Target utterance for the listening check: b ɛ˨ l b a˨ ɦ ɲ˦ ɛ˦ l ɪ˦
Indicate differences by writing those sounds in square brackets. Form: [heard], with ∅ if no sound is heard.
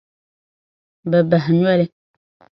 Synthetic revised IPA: b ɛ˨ [∅] b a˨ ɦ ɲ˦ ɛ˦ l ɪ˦